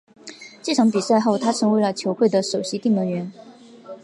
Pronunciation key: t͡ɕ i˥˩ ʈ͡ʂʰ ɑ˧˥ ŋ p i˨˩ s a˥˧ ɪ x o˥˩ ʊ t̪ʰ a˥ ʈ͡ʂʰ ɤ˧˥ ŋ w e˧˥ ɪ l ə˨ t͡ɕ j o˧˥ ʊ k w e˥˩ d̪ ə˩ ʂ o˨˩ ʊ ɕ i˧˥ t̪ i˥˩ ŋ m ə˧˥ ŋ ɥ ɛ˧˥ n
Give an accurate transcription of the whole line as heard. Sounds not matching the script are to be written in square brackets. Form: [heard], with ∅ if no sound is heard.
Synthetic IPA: t͡ɕ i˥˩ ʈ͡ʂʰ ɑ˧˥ ŋ p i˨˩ s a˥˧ ɪ x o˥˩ ʊ t̪ʰ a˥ ʈ͡ʂʰ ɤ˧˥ ŋ w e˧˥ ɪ l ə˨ [t͡ɕʰ] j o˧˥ ʊ [x] w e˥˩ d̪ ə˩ ʂ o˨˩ ʊ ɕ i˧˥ t̪ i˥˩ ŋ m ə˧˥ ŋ ɥ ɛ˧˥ n